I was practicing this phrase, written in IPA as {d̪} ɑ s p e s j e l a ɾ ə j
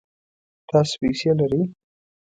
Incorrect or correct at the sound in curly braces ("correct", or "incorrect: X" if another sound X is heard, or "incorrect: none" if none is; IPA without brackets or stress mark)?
incorrect: t̪